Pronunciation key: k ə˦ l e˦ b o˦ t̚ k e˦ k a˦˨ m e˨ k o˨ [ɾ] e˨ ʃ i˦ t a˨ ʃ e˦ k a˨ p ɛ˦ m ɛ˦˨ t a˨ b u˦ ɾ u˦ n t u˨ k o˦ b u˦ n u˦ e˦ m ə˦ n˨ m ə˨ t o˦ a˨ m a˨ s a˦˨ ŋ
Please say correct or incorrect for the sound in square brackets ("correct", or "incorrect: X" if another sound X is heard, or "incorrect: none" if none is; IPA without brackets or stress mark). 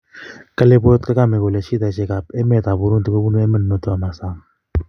incorrect: l